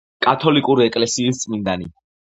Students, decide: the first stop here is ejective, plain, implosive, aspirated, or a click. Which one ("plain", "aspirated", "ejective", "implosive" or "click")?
ejective